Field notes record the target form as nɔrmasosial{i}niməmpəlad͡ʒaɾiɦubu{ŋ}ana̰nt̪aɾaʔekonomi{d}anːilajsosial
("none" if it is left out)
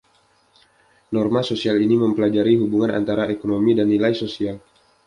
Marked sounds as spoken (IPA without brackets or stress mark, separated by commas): i, ŋ, d